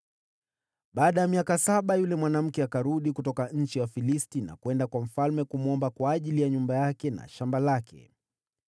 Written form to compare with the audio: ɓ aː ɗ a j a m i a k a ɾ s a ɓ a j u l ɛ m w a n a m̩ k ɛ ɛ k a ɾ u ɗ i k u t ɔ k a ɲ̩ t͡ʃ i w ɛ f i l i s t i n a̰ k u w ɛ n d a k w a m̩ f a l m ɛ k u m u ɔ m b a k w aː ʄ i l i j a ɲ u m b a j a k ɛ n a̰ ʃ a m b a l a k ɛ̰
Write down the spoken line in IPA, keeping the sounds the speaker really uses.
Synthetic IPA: ɓ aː ɗ a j a m i a k a s a ɓ a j u l ɛ m w a n a m̩ k ɛ a k a ɾ u ɗ i k u t ɔ k a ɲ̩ t͡ʃ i w a f i l i s t i n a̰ k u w ɛ n d a k w a m̩ f a l m ɛ k u m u ɔ m b a k w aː ʄ i l i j a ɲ u m b a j a k ɛ n a̰ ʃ a m b a l a k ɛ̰